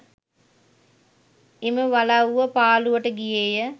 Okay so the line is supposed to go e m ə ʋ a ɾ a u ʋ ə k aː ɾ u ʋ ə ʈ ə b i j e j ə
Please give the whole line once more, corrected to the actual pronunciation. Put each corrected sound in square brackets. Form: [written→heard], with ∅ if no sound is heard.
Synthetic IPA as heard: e m ə ʋ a [ɾ→l] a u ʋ ə [k→p] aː [ɾ→l] u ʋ ə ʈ ə [b→ɡ] i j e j ə